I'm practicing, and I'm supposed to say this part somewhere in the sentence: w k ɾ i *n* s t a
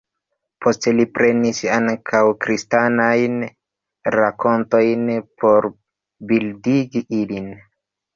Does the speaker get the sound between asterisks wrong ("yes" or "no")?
yes